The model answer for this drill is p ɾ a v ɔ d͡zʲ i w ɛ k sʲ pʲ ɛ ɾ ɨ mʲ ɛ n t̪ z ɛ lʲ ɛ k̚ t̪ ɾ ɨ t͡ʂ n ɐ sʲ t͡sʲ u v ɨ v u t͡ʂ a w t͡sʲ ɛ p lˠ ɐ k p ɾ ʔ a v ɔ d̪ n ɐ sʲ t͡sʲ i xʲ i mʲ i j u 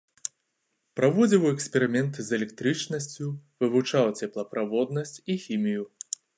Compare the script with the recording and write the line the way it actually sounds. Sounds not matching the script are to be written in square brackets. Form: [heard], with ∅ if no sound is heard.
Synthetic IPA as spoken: p ɾ a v ɔ d͡zʲ i w ɛ k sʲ pʲ ɛ ɾ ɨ mʲ ɛ n t̪ z ɛ lʲ ɛ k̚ t̪ ɾ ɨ t͡ʂ n ɐ sʲ t͡sʲ u v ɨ v u t͡ʂ a w t͡sʲ ɛ p lˠ ɐ [∅] p ɾ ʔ a v ɔ d̪ n ɐ sʲ t͡sʲ i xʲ i mʲ i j u